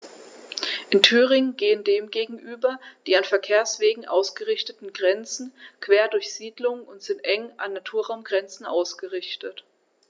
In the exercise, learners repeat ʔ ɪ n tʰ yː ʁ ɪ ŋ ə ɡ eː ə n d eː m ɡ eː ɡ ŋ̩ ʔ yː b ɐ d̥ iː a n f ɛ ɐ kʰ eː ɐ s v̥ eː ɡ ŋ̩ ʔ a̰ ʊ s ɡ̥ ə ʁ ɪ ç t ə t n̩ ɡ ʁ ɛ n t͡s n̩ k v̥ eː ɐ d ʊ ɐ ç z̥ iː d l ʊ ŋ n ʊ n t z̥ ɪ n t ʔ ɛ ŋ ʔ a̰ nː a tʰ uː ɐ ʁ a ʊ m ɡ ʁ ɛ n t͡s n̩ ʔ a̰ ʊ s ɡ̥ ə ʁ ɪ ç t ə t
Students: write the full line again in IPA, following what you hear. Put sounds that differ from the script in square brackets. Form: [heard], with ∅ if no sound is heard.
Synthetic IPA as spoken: ʔ ɪ n tʰ yː ʁ ɪ ŋ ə ɡ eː ə n d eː m ɡ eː ɡ ŋ̩ ʔ yː b ɐ d̥ iː a n f ɛ ɐ kʰ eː ɐ s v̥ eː ɡ ŋ̩ ʔ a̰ ʊ s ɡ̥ ə ʁ ɪ ç t ə t n̩ ɡ ʁ ɛ n t͡s n̩ k v̥ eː ɐ d ʊ ɐ ç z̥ iː d l ʊ ŋ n ʊ n t z̥ ɪ n t ʔ ɛ ŋ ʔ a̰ nː a tʰ uː ɐ ʁ a ʊ m ɡ ʁ ɛ n t͡s n̩ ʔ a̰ ʊ s ɡ̥ ə ʁ ɪ ç t ə t

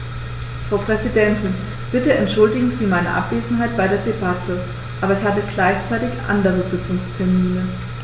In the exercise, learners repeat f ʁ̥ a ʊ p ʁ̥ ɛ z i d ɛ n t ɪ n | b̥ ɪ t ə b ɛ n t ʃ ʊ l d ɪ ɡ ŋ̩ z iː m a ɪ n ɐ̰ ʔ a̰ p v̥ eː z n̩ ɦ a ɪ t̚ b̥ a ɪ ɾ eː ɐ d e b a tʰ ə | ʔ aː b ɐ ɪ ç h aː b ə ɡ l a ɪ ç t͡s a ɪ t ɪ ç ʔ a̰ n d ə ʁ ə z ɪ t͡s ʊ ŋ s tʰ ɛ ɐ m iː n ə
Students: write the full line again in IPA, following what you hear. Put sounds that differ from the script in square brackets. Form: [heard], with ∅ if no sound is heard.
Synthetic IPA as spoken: f ʁ̥ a ʊ p ʁ̥ ɛ z i d ɛ n t ɪ n | b̥ ɪ t ə [∅] ɛ n t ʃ ʊ l d ɪ ɡ ŋ̩ z iː m a ɪ n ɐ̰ ʔ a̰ p v̥ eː z n̩ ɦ a ɪ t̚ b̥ a ɪ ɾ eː ɐ d e b a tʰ ə | ʔ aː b ɐ ɪ ç h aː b ə ɡ l a ɪ ç t͡s a ɪ t ɪ ç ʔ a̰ n d ə ʁ ə z ɪ t͡s ʊ ŋ s tʰ ɛ ɐ m iː n ə

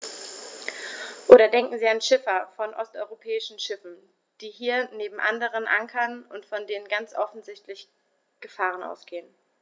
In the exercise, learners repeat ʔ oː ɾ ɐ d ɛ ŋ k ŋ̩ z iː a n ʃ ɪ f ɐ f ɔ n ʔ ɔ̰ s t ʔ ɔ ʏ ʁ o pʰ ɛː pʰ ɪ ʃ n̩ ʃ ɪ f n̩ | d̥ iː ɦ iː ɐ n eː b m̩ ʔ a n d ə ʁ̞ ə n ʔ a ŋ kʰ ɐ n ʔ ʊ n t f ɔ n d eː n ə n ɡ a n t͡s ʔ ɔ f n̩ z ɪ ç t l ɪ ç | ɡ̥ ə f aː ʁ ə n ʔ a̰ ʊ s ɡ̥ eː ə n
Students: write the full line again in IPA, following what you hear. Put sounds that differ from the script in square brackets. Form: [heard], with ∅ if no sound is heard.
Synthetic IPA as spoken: ʔ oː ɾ ɐ d ɛ ŋ k ŋ̩ z iː a n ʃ ɪ f ɐ f ɔ n ʔ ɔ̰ s t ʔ ɔ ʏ ʁ o pʰ ɛː [∅] ɪ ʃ n̩ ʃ ɪ f n̩ | d̥ iː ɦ iː ɐ n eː b m̩ ʔ a n d ə ʁ̞ ə n ʔ a ŋ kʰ ɐ n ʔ ʊ n t f ɔ n d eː n ə n ɡ a n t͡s ʔ ɔ f n̩ z ɪ ç t l ɪ ç | ɡ̥ ə f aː ʁ ə n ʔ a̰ ʊ s ɡ̥ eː ə n

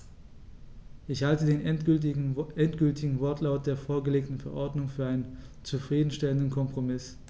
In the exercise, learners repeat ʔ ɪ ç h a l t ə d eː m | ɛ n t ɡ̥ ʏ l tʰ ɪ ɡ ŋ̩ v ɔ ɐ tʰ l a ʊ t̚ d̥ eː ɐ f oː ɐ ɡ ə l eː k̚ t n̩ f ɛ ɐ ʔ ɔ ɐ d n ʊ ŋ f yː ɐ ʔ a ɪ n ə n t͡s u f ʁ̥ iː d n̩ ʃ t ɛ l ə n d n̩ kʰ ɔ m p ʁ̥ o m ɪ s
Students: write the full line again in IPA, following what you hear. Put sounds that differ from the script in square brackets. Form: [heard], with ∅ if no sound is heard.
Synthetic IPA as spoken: ʔ ɪ ç h a l t ə d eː [n] | ɛ n t ɡ̥ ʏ l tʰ ɪ ɡ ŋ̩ v ɔ ɐ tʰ l a ʊ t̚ d̥ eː ɐ f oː ɐ ɡ ə l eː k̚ t n̩ f ɛ ɐ ʔ ɔ ɐ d n ʊ ŋ f yː ɐ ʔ a ɪ n ə n t͡s u f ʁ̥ iː d n̩ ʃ t ɛ l ə n d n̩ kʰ ɔ m p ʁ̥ o m ɪ s

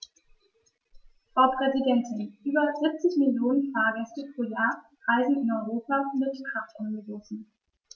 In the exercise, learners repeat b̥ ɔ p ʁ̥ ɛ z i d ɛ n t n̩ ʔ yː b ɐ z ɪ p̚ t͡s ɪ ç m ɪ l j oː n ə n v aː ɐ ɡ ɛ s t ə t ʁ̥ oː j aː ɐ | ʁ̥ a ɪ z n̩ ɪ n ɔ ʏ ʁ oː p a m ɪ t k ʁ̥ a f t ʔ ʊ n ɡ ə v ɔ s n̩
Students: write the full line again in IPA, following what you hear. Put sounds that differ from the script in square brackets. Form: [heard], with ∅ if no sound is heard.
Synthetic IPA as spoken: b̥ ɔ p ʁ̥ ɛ z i d ɛ n t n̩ ʔ yː b ɐ z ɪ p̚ t͡s ɪ ç m ɪ l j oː n ə n [f] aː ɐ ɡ ɛ s t ə [p] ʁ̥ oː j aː ɐ | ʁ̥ a ɪ z n̩ ɪ n ɔ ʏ ʁ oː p a m ɪ t k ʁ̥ a f t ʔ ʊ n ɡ ə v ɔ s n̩

